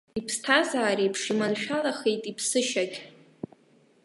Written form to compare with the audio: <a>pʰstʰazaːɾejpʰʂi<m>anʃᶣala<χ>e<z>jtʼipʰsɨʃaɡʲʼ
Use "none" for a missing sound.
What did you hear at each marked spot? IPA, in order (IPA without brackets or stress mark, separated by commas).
i, m, χ, none